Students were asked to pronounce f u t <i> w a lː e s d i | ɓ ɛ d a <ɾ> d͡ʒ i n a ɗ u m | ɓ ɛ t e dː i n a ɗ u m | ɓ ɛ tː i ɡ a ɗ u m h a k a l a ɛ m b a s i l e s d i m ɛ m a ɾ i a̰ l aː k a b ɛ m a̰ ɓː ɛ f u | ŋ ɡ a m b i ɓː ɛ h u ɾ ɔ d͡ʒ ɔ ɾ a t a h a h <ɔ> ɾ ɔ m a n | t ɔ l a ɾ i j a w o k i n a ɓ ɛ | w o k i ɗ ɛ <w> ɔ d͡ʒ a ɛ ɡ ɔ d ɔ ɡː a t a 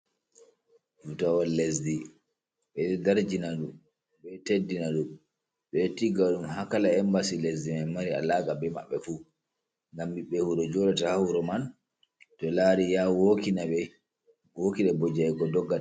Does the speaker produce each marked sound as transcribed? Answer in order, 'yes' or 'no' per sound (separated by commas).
no, yes, no, no